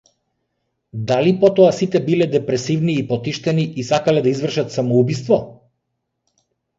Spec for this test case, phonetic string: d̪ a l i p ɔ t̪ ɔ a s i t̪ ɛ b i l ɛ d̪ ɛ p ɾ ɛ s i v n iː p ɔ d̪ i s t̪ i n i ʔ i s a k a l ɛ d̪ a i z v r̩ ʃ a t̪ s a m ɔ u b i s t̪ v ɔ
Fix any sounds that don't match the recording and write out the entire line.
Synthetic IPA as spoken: d̪ a l i p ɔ t̪ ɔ a s i t̪ ɛ b i l ɛ d̪ ɛ p ɾ ɛ s i v n iː p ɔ t̪ i ʃ t̪ ɛ n i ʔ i s a k a l ɛ d̪ a i z v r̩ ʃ a t̪ s a m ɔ u b i s t̪ v ɔ

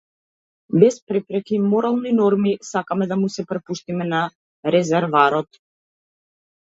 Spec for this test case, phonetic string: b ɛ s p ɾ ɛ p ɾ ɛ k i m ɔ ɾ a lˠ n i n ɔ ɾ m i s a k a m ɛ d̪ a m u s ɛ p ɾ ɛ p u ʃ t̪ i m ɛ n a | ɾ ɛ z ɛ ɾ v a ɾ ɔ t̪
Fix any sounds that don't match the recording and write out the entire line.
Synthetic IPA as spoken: b ɛ s p ɾ ɛ p ɾ ɛ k i m ɔ ɾ a lˠ n i n ɔ ɾ m i s a k a m ɛ d̪ a m u s ɛ p ɾ ɛ p u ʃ t̪ i m ɛ n a | ɾ ɛ z ɛ ɾ v a ɾ ɔ t̪

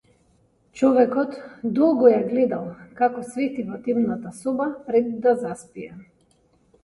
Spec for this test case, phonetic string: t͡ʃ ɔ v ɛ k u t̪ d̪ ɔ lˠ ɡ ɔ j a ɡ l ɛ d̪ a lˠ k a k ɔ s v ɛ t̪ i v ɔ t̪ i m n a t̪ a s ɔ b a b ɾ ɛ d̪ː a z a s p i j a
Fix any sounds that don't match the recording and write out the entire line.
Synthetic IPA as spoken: t͡ʃ ɔ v ɛ k ɔ t̪ d̪ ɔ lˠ ɡ ɔ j a ɡ l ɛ d̪ a lˠ k a k ɔ s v ɛ t̪ i v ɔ t̪ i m n a t̪ a s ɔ b a p ɾ ɛ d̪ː a z a s p i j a

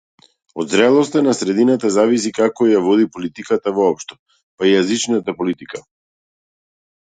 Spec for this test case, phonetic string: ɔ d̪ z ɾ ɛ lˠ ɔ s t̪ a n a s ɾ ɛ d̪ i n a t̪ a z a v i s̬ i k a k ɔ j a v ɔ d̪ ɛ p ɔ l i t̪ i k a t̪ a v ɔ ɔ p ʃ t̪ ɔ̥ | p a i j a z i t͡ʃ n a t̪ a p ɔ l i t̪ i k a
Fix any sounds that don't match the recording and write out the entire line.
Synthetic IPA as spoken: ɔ d̪ z ɾ ɛ lˠ ɔ s t̪ a n a s ɾ ɛ d̪ i n a t̪ a z a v i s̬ i k a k ɔ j a v ɔ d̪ i p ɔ l i t̪ i k a t̪ a v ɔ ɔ p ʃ t̪ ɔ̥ | p a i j a z i t͡ʃ n a t̪ a p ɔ l i t̪ i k a

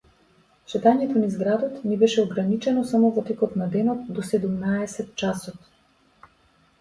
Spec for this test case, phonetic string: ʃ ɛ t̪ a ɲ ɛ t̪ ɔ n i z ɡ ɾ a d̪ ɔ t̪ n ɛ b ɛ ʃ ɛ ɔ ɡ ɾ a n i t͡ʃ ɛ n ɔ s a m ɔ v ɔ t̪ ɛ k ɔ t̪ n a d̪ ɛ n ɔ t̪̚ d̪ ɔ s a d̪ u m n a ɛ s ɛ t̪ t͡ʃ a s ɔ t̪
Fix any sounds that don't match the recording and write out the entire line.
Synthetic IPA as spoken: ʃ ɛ t̪ a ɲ ɛ t̪ ɔ n i z ɡ ɾ a d̪ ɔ t̪ n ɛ b ɛ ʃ ɛ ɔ ɡ ɾ a n i t͡ʃ ɛ n ɔ s a m ɔ v ɔ t̪ ɛ k ɔ t̪ n a d̪ ɛ n ɔ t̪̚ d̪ ɔ s ɛ d̪ u m n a ɛ s ɛ t̪ t͡ʃ a s ɔ t̪

